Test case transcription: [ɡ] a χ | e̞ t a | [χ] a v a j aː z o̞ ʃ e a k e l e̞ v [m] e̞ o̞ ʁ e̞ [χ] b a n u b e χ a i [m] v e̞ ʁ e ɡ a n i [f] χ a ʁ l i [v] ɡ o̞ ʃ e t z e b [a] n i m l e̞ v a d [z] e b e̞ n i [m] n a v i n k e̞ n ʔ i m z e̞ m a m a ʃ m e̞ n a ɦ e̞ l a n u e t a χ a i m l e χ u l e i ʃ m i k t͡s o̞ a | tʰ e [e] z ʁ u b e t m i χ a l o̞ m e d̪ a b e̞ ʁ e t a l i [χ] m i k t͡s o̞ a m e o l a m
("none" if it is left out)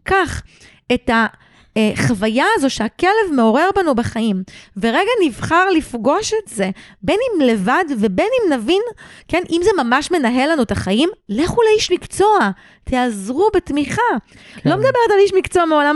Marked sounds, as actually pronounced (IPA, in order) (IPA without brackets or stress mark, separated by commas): k, χ, m, ʁ, m, v, f, e, v, m, a, ʃ